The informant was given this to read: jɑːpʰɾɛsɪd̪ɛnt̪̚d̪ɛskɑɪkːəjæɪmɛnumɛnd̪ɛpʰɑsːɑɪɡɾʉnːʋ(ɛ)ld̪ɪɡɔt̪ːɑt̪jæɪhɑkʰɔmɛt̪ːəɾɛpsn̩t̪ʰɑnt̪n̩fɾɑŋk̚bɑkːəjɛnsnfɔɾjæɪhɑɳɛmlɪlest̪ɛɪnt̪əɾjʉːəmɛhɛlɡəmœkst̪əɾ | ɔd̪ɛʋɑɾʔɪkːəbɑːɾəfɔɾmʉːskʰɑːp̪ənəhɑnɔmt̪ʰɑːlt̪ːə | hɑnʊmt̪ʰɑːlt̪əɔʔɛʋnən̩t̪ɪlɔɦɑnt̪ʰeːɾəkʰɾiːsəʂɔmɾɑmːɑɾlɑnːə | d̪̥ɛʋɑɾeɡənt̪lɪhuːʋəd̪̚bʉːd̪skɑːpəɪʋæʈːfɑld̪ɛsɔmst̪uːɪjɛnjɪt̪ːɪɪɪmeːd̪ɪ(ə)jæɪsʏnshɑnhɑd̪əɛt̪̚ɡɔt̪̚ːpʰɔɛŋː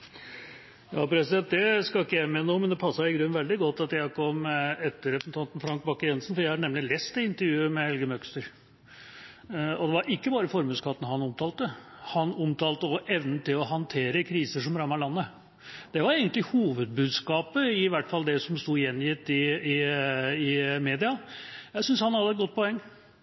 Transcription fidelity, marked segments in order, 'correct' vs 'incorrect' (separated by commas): correct, incorrect